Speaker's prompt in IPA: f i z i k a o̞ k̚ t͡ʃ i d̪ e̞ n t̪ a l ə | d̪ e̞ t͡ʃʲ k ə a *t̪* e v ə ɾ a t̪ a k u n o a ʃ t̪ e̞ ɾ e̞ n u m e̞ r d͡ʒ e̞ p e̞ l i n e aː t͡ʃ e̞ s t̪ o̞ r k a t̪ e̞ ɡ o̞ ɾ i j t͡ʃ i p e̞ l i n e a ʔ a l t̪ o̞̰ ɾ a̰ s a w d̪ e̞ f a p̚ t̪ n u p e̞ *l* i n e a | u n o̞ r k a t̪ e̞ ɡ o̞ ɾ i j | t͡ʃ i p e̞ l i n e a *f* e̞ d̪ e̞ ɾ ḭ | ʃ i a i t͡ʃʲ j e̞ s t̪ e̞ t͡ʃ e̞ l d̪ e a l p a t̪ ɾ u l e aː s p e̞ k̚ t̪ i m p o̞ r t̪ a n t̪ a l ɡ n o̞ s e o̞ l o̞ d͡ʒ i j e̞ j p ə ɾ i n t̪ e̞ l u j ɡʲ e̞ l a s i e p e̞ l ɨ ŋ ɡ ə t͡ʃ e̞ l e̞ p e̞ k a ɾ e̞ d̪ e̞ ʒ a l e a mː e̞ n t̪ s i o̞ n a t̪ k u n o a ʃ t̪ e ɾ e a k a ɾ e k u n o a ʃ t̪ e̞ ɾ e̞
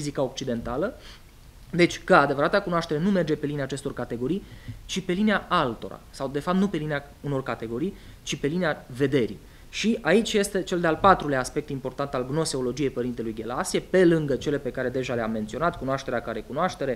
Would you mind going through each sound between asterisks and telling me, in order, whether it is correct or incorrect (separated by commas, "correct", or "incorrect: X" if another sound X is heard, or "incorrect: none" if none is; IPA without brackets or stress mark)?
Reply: incorrect: d̪, correct, incorrect: v